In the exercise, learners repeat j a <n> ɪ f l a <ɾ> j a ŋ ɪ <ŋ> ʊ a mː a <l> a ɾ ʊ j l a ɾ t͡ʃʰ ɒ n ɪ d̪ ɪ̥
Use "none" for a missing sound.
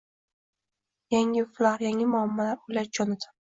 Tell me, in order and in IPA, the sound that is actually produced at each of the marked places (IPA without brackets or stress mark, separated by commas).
ŋ, ɾ, m, l